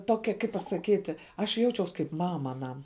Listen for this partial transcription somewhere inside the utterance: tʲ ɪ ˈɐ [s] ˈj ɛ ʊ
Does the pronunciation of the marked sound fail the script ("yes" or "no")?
yes